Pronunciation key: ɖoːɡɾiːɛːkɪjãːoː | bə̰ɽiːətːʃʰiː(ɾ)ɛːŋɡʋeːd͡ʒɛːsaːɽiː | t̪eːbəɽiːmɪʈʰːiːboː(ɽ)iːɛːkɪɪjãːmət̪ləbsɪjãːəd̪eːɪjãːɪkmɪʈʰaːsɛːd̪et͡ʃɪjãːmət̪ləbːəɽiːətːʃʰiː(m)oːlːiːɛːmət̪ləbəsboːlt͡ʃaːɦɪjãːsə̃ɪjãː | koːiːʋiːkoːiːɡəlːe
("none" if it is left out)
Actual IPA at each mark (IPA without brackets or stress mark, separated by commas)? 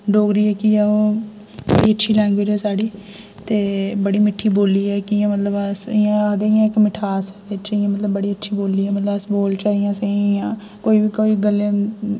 l, l, b